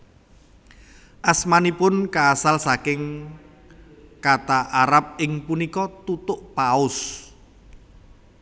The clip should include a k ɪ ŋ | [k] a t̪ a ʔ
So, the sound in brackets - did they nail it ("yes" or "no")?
yes